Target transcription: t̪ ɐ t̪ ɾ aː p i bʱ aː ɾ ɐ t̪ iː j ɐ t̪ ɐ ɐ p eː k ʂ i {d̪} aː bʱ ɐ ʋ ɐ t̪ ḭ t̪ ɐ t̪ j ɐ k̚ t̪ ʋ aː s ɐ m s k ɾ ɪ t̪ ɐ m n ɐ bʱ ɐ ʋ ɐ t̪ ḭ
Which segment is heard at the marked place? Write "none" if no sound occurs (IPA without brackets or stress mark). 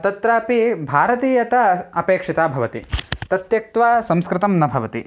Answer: t̪